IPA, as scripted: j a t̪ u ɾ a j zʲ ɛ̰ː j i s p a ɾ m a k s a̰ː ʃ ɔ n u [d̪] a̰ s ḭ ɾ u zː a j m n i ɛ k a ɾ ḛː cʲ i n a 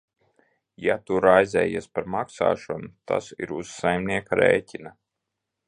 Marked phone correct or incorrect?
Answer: incorrect